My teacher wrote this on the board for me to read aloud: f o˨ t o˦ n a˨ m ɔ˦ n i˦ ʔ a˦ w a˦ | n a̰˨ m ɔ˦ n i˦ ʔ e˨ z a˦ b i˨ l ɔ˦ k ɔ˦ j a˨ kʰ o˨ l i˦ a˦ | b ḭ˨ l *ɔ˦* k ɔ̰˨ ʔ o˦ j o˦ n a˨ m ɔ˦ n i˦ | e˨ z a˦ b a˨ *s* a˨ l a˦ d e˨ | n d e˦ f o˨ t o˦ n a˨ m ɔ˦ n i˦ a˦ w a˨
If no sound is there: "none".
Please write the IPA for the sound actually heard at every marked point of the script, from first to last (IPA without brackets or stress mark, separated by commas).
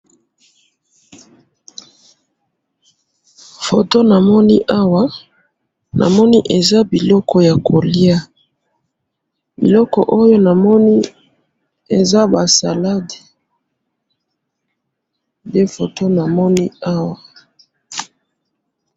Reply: ɔ˦, s